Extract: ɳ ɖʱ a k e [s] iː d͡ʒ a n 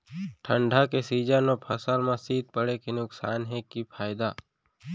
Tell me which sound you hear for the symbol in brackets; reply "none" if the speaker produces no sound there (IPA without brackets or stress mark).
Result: s